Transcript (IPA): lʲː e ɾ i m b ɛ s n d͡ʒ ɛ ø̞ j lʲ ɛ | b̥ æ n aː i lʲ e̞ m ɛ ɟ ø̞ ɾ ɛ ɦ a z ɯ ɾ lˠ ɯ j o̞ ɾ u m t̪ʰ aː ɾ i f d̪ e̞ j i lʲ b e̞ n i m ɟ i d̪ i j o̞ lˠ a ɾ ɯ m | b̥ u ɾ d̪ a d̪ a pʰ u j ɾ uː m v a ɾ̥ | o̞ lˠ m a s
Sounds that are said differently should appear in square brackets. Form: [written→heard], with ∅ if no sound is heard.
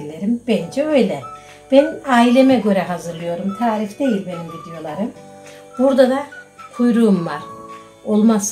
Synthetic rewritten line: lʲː e ɾ i m b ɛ [s→∅] n d͡ʒ ɛ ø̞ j lʲ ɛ | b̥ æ n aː i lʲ e̞ m ɛ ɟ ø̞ ɾ ɛ ɦ a z ɯ ɾ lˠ ɯ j o̞ ɾ u m t̪ʰ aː ɾ i f d̪ e̞ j i lʲ b e̞ n i m ɟ i d̪ i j o̞ lˠ a ɾ ɯ m | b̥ u ɾ d̪ a d̪ a [pʰ→kʰ] u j ɾ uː m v a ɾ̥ | o̞ lˠ m a s